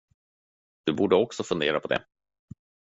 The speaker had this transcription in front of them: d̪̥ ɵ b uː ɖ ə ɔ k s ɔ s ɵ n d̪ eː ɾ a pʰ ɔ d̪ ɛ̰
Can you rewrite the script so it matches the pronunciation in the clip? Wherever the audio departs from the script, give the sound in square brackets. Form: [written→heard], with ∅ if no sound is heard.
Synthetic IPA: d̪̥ ɵ b uː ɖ ə ɔ k s ɔ [s→f] ɵ n d̪ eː ɾ a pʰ ɔ d̪ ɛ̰